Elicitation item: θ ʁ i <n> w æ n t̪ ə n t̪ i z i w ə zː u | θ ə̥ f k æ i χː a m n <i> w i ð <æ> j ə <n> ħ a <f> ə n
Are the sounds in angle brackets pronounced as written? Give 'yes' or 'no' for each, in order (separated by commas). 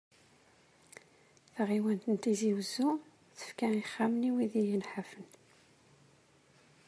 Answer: no, yes, no, yes, yes